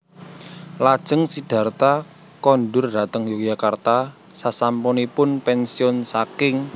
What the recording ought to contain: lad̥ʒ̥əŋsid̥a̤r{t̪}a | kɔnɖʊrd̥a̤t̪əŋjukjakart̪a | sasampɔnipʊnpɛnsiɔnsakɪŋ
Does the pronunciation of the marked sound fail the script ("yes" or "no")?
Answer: no